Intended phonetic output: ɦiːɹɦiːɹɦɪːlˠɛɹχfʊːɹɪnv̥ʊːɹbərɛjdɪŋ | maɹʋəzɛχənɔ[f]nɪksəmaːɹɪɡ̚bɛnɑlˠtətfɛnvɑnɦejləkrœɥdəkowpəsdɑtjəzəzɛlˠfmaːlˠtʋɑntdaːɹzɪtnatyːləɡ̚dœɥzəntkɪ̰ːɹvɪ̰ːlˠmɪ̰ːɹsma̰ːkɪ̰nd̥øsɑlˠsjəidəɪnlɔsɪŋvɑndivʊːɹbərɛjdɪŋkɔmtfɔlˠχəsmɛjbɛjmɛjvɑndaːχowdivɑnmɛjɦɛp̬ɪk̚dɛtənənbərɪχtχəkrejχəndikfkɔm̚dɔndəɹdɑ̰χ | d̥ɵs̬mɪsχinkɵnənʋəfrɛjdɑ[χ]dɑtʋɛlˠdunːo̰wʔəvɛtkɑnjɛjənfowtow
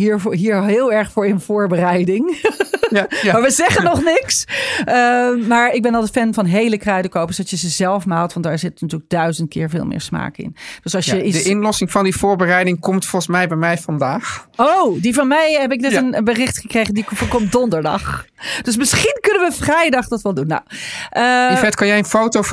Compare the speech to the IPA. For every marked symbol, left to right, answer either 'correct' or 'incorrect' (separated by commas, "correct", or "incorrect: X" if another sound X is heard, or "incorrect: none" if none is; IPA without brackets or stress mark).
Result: incorrect: χ, correct